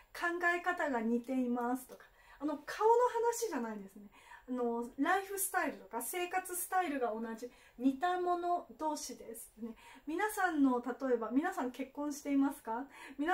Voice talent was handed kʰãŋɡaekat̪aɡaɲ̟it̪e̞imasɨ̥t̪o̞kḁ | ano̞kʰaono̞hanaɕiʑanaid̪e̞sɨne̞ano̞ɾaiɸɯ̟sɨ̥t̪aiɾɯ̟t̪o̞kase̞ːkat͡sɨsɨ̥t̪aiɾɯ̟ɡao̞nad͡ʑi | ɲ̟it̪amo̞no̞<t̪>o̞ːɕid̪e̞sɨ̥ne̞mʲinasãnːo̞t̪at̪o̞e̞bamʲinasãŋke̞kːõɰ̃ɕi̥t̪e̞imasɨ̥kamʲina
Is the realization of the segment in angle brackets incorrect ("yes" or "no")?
yes